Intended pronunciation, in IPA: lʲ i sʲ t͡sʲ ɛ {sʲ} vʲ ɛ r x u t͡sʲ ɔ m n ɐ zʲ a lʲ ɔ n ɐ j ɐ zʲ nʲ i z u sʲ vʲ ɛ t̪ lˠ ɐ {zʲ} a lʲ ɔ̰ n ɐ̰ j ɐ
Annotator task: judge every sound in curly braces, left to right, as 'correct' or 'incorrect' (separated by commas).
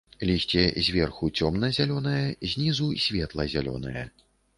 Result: incorrect, correct